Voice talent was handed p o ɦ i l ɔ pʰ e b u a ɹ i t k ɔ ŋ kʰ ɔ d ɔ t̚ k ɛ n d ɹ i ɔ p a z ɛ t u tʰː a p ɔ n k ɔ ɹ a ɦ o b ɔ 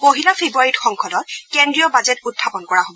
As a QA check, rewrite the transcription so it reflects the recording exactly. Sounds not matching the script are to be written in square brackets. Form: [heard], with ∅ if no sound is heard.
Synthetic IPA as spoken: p o ɦ i l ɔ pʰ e b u a ɹ i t [x] ɔ ŋ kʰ ɔ d ɔ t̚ k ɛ n d ɹ i ɔ [b] a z ɛ t u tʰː a p ɔ n k ɔ ɹ a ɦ o b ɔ